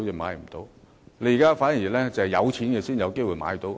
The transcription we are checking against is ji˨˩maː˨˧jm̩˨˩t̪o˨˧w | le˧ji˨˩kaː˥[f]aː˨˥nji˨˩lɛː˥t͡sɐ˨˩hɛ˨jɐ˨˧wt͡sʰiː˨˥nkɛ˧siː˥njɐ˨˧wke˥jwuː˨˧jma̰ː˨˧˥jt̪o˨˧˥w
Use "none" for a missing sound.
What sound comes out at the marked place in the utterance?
f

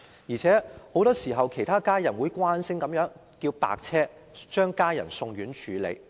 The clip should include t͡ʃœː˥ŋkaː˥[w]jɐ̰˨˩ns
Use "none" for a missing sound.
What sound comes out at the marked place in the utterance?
none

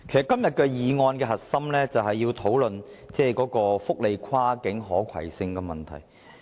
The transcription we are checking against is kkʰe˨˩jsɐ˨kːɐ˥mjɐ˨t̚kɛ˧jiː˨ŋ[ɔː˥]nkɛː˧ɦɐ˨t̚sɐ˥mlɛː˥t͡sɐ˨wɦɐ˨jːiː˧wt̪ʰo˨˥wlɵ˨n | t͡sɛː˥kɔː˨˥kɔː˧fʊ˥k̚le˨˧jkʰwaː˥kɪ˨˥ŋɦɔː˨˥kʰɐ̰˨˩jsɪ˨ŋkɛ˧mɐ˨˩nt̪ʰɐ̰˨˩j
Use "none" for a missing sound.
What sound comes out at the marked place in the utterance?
ɔː˧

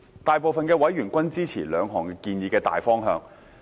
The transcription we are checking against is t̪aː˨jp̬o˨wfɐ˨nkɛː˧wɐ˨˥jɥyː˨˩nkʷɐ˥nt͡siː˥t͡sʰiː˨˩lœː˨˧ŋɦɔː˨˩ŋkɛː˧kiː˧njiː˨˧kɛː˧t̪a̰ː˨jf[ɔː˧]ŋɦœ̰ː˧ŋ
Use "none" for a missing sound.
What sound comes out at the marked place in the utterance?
ɔː˥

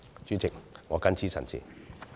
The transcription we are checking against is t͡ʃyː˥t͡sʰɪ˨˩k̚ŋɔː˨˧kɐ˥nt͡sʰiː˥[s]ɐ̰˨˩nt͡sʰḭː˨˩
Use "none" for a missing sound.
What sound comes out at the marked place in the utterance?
s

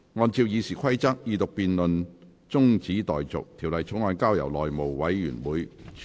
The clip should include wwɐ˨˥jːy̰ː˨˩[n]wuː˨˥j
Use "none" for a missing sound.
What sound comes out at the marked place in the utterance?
n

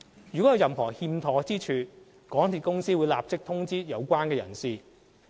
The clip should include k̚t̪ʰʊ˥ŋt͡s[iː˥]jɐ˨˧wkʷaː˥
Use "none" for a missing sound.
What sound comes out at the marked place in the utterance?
iː˥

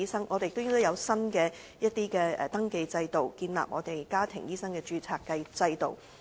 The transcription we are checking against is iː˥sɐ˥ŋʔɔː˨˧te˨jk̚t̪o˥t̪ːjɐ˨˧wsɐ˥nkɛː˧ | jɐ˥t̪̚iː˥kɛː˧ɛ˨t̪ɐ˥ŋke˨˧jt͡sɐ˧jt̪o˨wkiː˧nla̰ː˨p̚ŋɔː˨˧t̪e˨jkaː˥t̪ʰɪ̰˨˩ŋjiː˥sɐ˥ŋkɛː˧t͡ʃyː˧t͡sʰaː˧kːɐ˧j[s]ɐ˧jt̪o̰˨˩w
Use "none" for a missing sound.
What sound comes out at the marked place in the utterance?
t͡s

